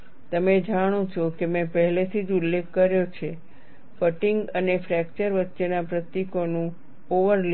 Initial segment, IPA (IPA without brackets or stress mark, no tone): t̪